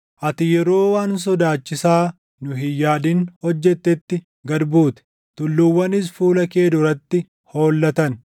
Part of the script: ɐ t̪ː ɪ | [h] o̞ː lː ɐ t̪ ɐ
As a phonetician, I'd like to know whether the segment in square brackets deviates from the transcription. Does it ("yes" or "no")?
no